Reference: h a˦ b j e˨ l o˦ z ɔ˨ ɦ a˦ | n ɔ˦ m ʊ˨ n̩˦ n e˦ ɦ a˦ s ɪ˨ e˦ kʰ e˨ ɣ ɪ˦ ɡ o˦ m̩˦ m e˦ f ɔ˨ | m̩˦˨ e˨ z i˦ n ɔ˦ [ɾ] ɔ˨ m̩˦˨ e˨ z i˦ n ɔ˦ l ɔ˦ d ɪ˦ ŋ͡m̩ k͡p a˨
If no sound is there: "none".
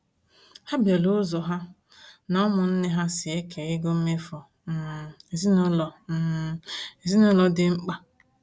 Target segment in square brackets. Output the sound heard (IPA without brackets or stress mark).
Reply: l